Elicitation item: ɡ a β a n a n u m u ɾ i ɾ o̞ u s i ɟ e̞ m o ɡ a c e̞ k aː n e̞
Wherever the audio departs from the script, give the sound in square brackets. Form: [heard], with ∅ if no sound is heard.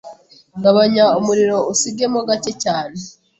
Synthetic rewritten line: ɡ a β a [ɲ] a [∅] u m u ɾ i ɾ o̞ u s i [ɡ] e̞ m o ɡ a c e̞ [c] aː n e̞